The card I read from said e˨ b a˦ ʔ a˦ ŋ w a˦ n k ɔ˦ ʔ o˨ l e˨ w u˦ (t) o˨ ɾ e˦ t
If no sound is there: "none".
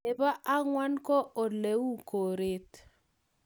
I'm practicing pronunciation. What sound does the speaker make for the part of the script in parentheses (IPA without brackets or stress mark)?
k